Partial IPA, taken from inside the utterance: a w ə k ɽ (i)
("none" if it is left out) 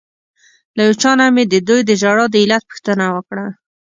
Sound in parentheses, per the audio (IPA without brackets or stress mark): a